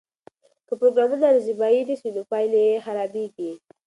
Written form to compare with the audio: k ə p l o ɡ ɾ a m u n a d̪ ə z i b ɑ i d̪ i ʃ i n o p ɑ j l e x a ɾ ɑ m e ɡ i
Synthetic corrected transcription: k ə p ɾ o ɡ ɾ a m u n a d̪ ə z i b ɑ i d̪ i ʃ i n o p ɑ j l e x a ɾ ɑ b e ɡ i